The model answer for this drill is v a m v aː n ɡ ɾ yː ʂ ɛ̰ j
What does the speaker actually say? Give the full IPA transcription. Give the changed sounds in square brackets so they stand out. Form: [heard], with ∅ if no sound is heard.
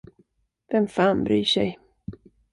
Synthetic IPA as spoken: v [ɛ] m [f] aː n [b] ɾ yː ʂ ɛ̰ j